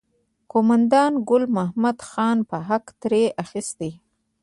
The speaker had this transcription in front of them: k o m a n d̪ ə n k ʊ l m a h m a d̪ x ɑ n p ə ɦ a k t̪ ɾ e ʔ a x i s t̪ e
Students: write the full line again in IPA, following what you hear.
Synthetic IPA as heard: k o m a n d̪ ɑ n ɡ ʊ l m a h m a d̪ x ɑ n p ə ɦ a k t̪ ɾ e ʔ a x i s t̪ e